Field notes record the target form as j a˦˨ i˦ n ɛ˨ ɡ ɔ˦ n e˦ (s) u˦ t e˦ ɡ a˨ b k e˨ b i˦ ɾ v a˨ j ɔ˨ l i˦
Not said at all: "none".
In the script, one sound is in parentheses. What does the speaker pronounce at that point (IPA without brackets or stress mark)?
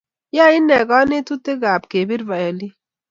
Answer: t